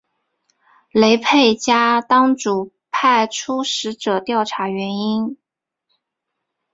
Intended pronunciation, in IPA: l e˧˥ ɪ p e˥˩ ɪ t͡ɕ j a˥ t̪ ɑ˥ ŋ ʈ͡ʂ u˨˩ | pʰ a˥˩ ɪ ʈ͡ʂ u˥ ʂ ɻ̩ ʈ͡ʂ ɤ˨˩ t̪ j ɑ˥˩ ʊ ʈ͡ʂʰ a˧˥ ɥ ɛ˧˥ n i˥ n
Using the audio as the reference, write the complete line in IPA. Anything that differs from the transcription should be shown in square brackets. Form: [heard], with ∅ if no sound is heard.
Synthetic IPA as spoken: l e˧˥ ɪ [pʰ] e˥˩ ɪ t͡ɕ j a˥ t̪ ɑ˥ ŋ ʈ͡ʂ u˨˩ | pʰ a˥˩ ɪ [ʈ͡ʂʰ] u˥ ʂ ɻ̩ ʈ͡ʂ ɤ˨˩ t̪ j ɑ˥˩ ʊ ʈ͡ʂʰ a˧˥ ɥ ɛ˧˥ n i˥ n